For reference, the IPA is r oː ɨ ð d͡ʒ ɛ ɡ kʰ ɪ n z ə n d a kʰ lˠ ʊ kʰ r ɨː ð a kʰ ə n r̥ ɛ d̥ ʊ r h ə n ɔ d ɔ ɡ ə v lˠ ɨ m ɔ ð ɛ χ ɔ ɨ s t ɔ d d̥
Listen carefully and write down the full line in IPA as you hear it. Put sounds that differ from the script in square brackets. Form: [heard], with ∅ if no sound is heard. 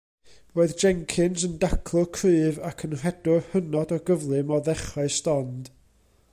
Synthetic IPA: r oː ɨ ð d͡ʒ ɛ [ŋ] kʰ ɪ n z ə n d a kʰ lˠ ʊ kʰ r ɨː [v] a kʰ ə n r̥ ɛ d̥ ʊ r h ə n ɔ d ɔ ɡ ə v lˠ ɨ m ɔ ð ɛ χ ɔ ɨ s t ɔ [n] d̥